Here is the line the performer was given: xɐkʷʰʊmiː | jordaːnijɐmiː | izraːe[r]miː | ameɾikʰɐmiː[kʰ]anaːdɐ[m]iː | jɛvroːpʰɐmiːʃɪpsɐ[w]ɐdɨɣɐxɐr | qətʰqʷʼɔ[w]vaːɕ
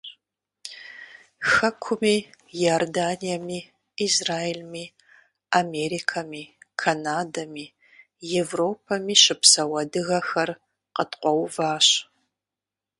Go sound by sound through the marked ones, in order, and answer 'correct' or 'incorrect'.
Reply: incorrect: l, correct, correct, correct, correct

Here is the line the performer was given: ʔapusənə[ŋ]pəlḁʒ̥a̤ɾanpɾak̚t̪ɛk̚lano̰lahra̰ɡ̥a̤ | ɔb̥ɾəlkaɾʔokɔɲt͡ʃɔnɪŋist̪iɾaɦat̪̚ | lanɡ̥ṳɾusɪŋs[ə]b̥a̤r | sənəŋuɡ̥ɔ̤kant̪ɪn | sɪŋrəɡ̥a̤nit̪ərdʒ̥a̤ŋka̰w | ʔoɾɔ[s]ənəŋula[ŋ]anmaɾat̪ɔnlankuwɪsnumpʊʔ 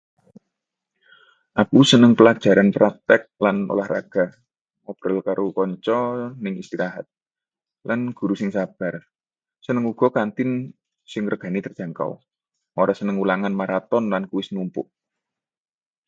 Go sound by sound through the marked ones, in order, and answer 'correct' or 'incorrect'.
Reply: correct, incorrect: a, correct, correct

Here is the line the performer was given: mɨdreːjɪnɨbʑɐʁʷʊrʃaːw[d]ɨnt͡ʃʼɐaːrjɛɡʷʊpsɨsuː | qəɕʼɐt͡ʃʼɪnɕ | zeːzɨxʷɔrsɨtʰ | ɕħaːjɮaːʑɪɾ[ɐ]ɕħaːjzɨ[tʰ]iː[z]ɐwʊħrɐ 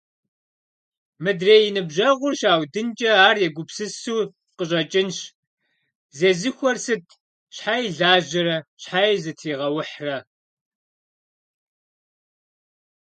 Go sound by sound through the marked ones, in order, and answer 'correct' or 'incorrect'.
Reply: correct, correct, correct, incorrect: ʁ

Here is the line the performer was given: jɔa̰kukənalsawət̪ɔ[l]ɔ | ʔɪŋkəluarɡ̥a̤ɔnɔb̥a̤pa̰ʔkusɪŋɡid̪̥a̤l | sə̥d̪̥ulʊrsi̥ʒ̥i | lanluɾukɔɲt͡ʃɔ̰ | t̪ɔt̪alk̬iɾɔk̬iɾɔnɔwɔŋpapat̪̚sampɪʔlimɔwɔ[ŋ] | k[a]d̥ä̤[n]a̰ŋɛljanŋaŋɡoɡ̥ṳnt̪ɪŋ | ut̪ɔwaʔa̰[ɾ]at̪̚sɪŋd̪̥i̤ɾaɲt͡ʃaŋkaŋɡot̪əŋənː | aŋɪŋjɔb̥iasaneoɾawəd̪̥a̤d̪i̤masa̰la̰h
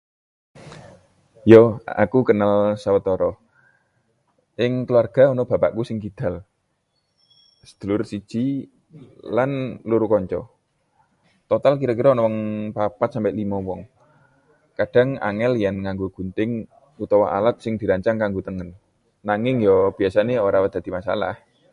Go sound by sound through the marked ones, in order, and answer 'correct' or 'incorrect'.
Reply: incorrect: ɾ, correct, correct, incorrect: ŋ, incorrect: l

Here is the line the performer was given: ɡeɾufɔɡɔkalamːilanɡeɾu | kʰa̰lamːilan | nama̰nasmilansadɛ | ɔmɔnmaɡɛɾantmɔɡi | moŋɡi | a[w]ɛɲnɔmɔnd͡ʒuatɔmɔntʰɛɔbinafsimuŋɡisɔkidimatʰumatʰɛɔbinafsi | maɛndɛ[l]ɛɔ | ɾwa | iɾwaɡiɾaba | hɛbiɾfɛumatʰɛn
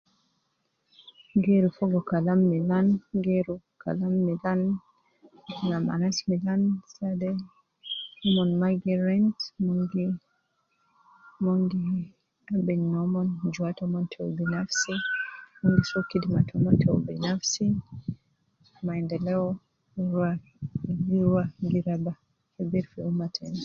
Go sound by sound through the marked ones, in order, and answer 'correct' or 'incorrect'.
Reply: incorrect: b, correct

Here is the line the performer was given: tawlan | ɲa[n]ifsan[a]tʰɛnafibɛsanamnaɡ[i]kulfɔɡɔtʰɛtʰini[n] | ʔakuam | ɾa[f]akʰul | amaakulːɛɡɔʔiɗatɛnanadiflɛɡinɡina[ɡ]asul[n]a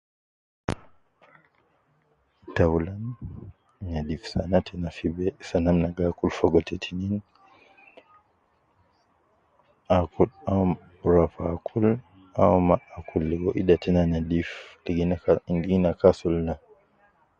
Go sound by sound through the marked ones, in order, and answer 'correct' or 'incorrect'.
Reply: incorrect: d, correct, incorrect: a, correct, correct, incorrect: k, correct

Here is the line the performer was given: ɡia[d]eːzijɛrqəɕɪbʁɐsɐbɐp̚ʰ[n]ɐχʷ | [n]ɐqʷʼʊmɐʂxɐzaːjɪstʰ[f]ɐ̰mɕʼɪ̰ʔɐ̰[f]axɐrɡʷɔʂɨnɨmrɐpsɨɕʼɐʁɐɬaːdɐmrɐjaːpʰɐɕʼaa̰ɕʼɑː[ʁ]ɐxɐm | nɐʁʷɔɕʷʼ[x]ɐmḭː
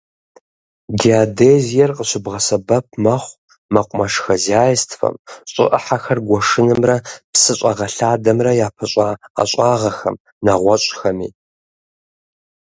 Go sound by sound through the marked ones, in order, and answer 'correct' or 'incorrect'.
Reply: correct, incorrect: m, incorrect: m, correct, incorrect: ħ, correct, correct

